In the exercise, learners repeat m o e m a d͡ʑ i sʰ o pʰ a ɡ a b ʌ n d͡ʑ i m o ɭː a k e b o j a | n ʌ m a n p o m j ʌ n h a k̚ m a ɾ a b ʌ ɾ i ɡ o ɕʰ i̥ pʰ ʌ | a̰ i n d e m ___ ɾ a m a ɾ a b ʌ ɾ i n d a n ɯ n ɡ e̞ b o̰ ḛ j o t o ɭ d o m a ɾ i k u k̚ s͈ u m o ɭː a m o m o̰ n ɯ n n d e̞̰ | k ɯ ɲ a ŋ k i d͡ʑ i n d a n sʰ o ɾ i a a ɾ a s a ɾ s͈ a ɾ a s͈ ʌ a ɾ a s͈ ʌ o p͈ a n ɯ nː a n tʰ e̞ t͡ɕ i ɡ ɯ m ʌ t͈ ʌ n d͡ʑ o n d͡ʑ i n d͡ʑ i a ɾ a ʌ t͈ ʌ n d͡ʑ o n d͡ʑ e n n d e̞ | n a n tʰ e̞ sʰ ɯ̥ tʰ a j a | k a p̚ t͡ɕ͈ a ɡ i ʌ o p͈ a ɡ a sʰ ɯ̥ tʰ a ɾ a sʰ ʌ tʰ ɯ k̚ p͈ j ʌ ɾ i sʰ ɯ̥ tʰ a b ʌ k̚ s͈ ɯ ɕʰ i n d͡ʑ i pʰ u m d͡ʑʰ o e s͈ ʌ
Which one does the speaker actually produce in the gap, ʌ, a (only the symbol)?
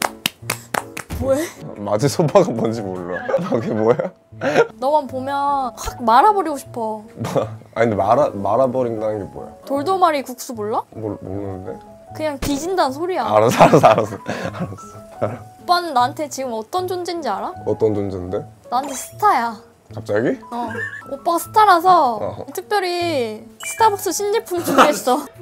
a